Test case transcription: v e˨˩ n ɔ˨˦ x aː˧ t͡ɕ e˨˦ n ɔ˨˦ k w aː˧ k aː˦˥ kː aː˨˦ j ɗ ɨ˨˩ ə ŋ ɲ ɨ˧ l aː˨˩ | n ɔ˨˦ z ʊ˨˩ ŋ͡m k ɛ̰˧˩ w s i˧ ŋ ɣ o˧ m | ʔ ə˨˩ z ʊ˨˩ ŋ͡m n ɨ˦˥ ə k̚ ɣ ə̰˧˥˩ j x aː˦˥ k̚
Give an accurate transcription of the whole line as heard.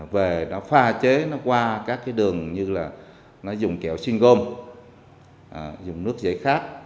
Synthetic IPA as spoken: v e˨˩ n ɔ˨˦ f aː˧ t͡ɕ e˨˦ n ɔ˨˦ k w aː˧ k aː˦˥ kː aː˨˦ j ɗ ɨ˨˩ ə ŋ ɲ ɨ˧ l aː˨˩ | n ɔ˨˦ z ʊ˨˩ ŋ͡m k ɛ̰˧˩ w s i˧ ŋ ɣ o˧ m | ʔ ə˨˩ z ʊ˨˩ ŋ͡m n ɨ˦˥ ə k̚ z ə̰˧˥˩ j x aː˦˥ k̚